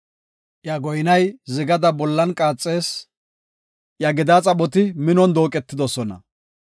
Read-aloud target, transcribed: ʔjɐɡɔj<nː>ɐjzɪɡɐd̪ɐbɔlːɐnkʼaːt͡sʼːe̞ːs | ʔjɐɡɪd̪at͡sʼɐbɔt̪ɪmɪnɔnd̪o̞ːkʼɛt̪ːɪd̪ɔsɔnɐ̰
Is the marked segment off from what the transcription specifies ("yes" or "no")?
yes